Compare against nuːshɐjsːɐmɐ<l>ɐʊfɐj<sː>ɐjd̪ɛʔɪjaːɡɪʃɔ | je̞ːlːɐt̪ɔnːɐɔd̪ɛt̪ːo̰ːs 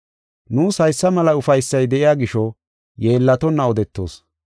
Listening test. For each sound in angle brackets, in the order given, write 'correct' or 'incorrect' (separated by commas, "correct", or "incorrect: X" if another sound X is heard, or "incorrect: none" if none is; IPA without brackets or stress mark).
correct, correct